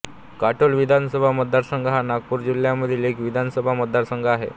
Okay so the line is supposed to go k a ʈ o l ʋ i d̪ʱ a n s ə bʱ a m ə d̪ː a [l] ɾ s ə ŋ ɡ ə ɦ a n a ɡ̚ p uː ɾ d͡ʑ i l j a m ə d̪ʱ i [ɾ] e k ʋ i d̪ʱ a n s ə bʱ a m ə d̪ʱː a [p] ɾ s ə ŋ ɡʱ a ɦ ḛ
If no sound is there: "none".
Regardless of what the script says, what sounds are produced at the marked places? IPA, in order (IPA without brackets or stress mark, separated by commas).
none, l, none